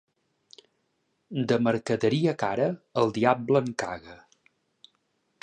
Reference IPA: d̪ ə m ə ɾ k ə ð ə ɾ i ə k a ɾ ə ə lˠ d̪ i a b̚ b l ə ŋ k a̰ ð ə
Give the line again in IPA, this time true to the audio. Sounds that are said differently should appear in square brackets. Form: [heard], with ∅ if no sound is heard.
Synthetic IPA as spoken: d̪ ə m ə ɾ k ə ð ə ɾ i ə k a ɾ ə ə lˠ d̪ i a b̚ b l ə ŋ k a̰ [ɣ] ə